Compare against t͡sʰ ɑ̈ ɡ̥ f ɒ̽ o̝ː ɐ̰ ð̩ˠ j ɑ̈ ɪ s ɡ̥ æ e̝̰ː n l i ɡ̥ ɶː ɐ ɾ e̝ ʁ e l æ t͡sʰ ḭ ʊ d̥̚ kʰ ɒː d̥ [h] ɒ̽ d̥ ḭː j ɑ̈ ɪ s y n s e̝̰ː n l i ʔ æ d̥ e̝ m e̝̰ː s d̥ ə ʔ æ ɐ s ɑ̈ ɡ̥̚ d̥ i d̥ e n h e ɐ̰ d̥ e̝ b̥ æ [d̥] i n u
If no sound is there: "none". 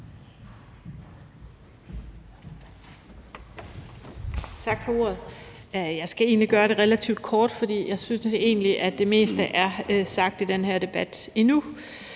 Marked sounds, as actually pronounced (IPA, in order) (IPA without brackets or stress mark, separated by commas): f, d̥